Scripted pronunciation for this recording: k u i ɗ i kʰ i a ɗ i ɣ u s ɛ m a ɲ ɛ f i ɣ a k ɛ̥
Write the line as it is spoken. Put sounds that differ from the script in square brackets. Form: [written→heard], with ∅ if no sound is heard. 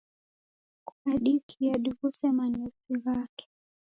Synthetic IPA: k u [i→a] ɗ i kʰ i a ɗ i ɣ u s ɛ m a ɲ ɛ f i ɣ a k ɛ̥